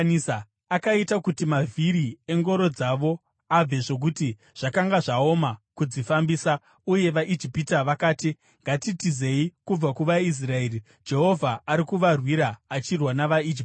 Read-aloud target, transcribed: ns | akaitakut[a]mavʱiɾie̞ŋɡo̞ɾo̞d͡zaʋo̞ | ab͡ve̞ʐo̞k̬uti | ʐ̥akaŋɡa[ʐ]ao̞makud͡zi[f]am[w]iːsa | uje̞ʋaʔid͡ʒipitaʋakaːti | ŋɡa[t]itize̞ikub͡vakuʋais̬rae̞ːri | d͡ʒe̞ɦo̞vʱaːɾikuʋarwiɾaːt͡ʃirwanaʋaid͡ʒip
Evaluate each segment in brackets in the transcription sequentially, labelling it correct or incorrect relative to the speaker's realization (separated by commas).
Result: incorrect, correct, correct, incorrect, correct